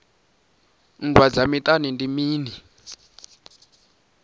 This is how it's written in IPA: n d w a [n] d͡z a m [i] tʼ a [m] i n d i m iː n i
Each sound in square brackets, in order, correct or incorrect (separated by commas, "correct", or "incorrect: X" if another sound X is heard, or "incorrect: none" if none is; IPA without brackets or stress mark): incorrect: none, correct, incorrect: n